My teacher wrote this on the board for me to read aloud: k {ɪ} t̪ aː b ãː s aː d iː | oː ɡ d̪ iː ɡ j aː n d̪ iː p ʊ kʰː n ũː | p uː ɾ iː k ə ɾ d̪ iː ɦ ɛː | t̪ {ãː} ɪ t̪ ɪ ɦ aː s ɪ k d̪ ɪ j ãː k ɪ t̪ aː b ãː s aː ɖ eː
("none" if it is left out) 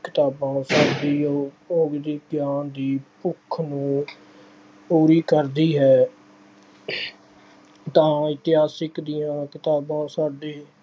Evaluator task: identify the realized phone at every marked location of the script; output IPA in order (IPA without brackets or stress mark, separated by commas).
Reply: ɪ, ãː